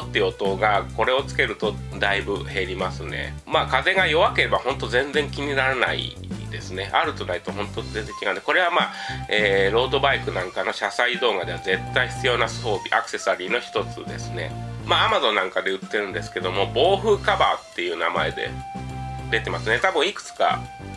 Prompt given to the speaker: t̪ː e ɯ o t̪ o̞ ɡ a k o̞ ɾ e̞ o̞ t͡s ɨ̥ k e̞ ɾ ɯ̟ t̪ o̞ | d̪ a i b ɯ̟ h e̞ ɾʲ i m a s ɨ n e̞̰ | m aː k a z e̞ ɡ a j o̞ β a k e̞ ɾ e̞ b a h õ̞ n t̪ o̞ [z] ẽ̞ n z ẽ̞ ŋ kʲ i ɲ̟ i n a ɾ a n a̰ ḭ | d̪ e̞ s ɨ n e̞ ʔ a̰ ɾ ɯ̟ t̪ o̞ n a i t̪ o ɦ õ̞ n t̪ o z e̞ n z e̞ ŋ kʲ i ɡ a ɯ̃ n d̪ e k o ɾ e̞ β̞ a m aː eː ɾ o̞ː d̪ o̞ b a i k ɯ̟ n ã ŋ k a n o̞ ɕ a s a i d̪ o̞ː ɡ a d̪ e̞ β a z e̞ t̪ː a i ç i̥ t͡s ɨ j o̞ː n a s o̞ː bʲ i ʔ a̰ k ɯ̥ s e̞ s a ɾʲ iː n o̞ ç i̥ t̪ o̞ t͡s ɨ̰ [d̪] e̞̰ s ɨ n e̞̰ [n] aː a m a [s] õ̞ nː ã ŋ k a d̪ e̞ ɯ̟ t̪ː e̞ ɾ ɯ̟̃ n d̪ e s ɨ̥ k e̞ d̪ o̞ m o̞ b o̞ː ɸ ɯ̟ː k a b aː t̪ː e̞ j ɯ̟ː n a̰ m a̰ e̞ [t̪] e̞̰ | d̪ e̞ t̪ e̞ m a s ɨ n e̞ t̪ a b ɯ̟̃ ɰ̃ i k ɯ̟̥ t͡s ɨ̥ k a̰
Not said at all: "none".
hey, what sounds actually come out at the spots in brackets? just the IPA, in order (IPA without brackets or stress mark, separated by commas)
z, d̪, m, z, d̪